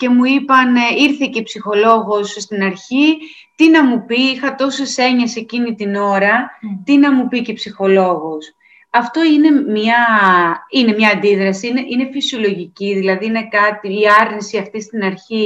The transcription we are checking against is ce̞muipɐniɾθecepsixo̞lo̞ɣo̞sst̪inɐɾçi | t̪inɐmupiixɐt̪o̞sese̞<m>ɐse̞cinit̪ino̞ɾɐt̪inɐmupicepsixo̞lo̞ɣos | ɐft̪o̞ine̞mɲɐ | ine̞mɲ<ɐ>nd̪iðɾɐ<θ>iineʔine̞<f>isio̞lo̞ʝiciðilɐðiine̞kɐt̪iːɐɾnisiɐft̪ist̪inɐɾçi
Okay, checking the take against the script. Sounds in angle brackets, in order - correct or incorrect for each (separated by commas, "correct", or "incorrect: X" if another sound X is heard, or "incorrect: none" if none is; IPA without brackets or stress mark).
incorrect: ɲ, incorrect: ɐː, incorrect: s, correct